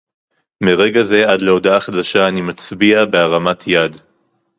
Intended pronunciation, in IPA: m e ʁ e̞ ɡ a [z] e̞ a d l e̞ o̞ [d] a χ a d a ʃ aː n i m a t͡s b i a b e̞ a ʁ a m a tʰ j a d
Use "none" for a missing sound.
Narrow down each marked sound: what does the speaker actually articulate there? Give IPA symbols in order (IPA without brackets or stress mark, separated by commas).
z, d